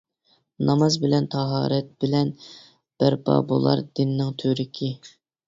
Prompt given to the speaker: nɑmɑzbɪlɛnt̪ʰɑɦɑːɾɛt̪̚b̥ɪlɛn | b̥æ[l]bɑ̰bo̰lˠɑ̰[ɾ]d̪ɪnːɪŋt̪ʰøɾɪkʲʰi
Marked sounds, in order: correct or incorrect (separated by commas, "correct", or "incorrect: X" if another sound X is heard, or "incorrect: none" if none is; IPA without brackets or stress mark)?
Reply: incorrect: ɾ, correct